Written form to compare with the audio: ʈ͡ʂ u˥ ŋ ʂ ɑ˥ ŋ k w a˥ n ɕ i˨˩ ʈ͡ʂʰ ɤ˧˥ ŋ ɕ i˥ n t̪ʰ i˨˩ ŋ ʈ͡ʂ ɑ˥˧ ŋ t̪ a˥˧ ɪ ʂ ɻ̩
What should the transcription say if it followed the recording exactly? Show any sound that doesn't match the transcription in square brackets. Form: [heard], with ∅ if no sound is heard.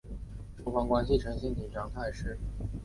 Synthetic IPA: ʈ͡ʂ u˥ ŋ [f] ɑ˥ ŋ k w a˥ n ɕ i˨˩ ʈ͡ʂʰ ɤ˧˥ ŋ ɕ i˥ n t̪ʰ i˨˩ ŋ ʈ͡ʂ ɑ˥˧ ŋ [t̪ʰ] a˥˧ ɪ ʂ ɻ̩